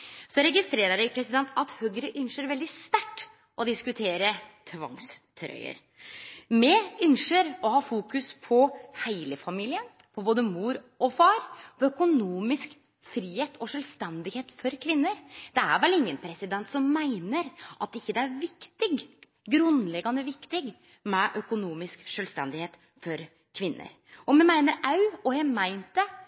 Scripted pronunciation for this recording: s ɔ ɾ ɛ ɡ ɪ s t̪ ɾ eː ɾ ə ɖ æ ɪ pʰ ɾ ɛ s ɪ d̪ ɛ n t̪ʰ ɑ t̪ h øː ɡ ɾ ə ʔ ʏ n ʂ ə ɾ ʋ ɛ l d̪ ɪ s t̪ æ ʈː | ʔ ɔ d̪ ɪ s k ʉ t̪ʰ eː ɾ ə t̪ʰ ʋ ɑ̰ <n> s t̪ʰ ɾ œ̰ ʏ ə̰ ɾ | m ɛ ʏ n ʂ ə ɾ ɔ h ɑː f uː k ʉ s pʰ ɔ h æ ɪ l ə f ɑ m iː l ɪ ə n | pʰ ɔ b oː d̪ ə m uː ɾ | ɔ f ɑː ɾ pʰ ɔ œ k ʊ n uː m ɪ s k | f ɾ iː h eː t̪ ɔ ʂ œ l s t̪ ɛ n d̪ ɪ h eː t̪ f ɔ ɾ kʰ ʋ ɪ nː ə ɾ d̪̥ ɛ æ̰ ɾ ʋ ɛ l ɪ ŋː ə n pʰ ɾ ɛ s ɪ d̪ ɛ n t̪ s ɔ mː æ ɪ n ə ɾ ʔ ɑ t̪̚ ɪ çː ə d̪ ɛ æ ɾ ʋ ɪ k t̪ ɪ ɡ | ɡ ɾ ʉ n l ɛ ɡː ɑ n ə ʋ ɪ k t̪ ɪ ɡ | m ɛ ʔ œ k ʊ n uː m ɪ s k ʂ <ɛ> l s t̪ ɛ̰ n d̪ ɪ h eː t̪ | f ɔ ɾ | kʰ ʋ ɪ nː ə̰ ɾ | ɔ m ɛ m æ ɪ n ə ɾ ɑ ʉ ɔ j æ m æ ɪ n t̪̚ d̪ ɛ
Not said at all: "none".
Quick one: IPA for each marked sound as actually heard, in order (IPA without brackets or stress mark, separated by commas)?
ŋ, œ